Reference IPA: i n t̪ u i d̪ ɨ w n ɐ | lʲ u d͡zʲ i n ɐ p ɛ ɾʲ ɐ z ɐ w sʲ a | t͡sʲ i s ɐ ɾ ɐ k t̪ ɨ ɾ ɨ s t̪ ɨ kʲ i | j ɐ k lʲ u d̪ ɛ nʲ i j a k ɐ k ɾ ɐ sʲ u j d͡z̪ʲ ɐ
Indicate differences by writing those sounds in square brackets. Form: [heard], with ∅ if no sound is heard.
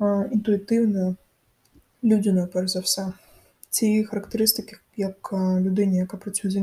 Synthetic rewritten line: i n t̪ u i [t̪] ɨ w n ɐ | lʲ u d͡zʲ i n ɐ p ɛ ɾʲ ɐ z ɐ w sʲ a | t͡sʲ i [x] ɐ ɾ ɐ k t̪ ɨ ɾ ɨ s t̪ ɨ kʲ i | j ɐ k lʲ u d̪ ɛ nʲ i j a k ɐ [p] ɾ ɐ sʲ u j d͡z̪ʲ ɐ